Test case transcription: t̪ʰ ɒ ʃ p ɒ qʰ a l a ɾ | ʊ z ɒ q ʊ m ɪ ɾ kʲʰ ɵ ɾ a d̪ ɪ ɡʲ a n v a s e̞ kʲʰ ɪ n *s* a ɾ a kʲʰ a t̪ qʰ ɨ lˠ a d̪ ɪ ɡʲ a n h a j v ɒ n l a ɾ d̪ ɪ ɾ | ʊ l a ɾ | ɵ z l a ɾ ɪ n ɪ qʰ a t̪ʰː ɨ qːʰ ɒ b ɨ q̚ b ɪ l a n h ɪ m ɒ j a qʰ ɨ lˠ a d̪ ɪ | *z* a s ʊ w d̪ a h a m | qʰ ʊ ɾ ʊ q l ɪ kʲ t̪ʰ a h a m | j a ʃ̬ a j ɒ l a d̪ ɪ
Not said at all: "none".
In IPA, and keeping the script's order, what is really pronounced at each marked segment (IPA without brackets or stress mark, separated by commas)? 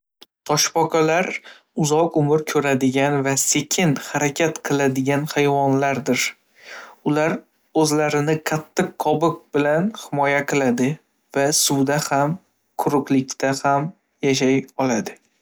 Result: h, v